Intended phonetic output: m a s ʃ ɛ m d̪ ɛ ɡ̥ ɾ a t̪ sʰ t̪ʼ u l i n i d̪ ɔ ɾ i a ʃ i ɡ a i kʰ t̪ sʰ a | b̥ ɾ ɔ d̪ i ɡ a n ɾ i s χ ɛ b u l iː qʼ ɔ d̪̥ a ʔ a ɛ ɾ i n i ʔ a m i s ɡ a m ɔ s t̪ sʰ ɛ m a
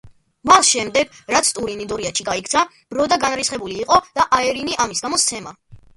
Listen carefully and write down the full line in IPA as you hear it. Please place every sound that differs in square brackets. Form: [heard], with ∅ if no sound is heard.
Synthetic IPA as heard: m a s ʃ ɛ m d̪ ɛ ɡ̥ ɾ a t̪ sʰ t̪ʼ u [ɾ] i n i d̪ ɔ ɾ i a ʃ i ɡ a i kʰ t̪ sʰ a | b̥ ɾ ɔ d̪ [a] ɡ a n ɾ i s χ ɛ b u l iː qʼ ɔ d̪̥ a ʔ a ɛ ɾ i n i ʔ a m i s ɡ a m ɔ s t̪ sʰ ɛ m a